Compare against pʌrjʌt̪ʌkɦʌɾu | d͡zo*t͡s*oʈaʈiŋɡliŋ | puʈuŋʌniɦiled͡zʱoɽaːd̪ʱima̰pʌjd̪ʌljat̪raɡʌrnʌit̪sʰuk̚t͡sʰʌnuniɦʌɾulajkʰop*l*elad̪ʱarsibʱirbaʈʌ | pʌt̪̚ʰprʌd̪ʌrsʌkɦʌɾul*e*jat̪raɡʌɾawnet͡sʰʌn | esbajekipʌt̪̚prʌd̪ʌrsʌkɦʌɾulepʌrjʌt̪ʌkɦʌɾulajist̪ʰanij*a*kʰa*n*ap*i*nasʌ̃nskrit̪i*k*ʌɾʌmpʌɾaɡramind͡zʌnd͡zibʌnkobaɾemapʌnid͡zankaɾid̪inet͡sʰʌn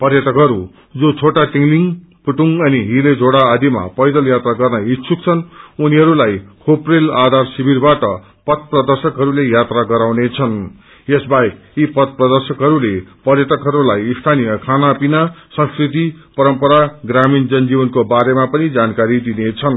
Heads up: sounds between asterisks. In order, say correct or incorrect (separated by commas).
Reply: incorrect, incorrect, correct, incorrect, correct, correct, incorrect